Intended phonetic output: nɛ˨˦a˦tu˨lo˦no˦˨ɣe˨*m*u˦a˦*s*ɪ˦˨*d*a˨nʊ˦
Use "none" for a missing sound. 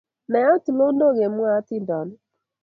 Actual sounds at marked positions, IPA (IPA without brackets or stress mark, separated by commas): m, t, d